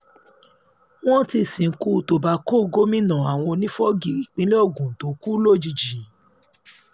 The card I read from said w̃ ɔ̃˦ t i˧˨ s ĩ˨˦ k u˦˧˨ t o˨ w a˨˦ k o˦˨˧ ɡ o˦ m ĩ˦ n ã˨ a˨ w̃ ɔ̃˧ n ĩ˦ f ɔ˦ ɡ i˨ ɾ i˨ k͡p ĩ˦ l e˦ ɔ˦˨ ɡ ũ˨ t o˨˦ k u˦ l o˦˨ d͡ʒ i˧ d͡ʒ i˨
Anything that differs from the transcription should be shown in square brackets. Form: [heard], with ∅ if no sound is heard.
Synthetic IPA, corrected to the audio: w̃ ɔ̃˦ t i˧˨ s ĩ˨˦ k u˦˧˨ t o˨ [b] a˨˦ k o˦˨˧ ɡ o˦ m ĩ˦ n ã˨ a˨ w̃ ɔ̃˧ n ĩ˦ f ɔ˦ ɡ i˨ ɾ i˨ k͡p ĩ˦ l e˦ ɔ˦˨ ɡ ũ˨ t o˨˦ k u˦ l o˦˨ d͡ʒ i˧ d͡ʒ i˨

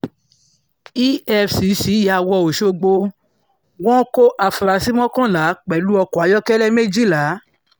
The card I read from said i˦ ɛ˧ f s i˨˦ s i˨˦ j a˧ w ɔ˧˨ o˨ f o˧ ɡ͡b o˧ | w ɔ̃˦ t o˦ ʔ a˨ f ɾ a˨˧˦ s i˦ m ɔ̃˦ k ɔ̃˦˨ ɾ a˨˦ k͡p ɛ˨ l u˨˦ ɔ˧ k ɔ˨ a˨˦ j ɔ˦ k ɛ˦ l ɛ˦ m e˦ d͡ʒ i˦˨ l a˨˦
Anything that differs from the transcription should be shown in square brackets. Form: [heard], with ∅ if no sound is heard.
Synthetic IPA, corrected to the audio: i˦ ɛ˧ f s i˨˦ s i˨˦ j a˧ w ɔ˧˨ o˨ [ʃ] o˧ ɡ͡b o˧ | w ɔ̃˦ [k] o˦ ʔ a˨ f ɾ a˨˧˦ s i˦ m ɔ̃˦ k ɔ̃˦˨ [l] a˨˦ k͡p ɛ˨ l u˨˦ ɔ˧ k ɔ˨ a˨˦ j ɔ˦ k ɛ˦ l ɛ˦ m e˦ d͡ʒ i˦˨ l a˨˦

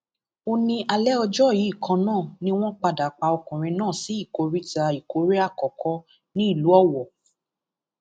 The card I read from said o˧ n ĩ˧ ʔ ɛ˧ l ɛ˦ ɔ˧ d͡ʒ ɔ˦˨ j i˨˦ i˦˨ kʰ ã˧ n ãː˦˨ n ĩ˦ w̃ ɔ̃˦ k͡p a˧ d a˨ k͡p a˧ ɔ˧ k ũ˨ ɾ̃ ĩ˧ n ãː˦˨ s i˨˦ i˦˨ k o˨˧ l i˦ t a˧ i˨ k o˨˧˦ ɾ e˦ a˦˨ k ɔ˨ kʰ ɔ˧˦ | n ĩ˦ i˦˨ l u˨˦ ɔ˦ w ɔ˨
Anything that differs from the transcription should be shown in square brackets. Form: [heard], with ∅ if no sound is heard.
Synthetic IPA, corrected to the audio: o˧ n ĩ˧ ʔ [a˧] l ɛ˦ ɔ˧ d͡ʒ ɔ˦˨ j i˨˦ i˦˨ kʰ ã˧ n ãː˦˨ n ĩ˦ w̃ ɔ̃˦ k͡p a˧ d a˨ k͡p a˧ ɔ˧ k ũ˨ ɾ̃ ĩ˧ n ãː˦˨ s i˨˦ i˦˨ k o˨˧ [ɾ] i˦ t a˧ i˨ k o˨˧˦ ɾ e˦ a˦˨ k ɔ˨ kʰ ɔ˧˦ | n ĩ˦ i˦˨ l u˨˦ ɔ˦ w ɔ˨

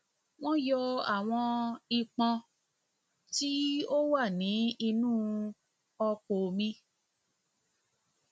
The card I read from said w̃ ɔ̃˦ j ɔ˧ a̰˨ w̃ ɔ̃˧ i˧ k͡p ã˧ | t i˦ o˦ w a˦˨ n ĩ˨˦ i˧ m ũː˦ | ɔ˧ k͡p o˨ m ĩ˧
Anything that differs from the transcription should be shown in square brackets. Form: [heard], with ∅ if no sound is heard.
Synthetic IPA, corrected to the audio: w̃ ɔ̃˦ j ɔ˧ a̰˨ w̃ ɔ̃˧ i˧ k͡p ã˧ | t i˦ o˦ w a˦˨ n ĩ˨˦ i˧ [n] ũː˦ | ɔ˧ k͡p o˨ m ĩ˧

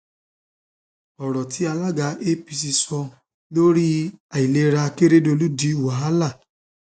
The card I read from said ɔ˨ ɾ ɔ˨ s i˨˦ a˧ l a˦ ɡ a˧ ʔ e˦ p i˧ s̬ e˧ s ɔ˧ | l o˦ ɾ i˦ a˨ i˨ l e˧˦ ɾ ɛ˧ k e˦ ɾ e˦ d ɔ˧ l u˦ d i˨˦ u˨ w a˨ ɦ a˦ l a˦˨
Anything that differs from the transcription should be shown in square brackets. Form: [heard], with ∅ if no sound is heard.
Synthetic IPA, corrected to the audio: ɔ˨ ɾ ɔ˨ [t] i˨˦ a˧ l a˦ ɡ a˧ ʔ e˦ p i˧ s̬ [i˧] s ɔ˧ | l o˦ ɾ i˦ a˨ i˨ l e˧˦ ɾ [a˧] k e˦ ɾ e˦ d [o˧] l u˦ d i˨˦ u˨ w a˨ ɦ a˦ l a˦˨

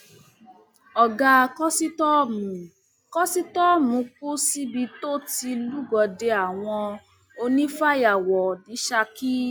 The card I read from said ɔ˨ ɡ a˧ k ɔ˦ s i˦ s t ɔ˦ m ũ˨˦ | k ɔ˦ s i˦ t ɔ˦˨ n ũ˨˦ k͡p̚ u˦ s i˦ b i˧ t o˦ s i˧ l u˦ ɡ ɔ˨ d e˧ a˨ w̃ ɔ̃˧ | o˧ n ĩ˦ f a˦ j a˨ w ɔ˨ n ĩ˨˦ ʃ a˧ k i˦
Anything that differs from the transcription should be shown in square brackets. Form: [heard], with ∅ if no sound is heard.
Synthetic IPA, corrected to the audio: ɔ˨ ɡ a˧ k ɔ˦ s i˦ [∅] t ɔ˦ m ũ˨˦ | k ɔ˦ s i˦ t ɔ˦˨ [m] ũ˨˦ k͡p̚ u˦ s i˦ b i˧ t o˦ [t] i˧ l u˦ ɡ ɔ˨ d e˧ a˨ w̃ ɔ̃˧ | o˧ n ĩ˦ f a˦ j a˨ w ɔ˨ n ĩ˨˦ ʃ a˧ k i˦

